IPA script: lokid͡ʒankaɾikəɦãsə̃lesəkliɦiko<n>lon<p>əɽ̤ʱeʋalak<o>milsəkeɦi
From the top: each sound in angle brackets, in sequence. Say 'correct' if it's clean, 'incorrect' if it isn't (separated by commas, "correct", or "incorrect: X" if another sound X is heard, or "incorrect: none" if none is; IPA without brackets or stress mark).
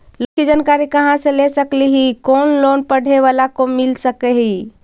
correct, correct, correct